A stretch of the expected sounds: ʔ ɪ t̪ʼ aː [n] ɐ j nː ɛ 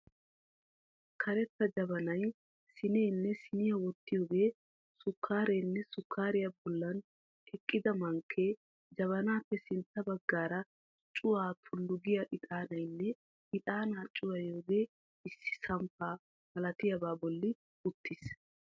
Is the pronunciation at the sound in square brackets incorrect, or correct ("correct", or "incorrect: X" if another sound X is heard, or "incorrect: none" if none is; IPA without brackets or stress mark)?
correct